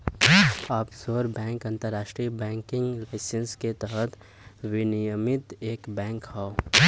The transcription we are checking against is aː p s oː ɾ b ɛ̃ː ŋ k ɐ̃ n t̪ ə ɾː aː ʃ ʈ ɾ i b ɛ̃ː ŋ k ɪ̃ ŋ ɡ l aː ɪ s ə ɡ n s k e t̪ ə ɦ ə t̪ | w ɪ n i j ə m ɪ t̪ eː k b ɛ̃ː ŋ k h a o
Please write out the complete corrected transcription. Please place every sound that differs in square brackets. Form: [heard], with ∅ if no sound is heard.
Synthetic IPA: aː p s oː ɾ b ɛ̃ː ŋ k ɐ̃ n t̪ ə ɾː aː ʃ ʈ ɾ i b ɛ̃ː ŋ k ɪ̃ ŋ ɡ l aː ɪ s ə [∅] n s k e t̪ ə ɦ ə t̪ | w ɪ n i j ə m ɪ t̪ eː k b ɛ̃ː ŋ k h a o